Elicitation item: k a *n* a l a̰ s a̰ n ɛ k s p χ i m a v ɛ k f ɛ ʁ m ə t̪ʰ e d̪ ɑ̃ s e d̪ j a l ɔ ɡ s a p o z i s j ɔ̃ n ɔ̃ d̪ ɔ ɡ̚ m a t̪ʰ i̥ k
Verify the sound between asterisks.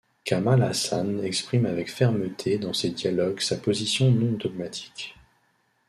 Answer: incorrect: m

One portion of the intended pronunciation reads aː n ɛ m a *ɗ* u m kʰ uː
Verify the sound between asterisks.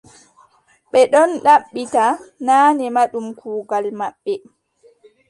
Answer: correct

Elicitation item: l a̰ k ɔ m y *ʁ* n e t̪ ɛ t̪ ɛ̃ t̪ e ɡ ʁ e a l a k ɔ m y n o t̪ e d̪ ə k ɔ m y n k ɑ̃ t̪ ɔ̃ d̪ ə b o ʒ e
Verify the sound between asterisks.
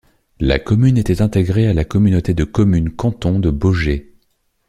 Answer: incorrect: none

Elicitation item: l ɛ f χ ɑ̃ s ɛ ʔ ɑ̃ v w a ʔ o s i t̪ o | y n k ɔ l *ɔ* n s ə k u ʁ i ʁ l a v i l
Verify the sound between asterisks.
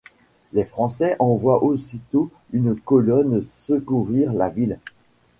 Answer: correct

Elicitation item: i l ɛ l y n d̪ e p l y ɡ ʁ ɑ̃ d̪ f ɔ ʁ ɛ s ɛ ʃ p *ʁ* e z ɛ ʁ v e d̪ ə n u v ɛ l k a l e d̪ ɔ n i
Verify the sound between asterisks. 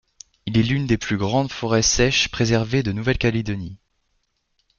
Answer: incorrect: χ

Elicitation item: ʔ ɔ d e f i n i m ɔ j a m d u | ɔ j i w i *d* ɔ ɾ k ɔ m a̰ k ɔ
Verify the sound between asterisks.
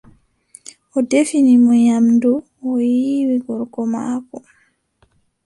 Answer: incorrect: ɡ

